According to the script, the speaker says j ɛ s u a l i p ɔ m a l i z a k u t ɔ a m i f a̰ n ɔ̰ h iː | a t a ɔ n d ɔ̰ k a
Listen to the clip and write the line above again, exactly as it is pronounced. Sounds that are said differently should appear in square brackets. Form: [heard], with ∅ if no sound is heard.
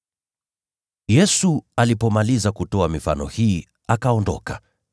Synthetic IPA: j ɛ s u a l i p ɔ m a l i z a k u t ɔ a m i f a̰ n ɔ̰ h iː | a [k] a ɔ n d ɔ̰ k a